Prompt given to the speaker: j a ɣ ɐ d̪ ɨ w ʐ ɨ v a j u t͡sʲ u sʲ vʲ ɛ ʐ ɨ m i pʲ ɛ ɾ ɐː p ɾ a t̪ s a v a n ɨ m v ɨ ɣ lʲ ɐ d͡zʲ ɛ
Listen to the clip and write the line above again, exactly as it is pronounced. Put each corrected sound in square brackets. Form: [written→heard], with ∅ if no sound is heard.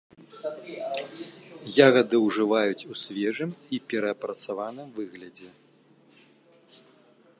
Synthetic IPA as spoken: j a ɣ ɐ d̪ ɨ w ʐ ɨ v a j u t͡sʲ u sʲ vʲ ɛ ʐ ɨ m i pʲ ɛ ɾ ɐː p ɾ [a→ɐ] t̪ s a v a n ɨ m v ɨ ɣ lʲ ɐ d͡zʲ ɛ